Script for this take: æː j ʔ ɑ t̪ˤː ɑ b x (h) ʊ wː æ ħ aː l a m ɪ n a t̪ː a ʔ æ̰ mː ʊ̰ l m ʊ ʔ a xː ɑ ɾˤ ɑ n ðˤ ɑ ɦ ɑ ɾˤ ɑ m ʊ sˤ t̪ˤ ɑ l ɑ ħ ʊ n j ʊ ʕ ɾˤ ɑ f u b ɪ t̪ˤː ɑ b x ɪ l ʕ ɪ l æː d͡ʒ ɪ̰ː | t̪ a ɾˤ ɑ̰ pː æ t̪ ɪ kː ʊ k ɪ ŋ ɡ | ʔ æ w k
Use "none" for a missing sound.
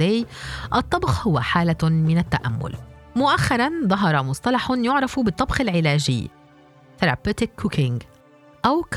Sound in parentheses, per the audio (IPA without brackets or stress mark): h